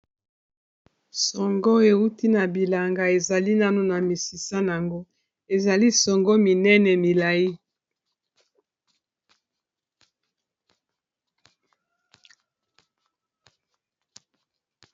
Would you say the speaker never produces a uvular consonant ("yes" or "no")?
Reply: yes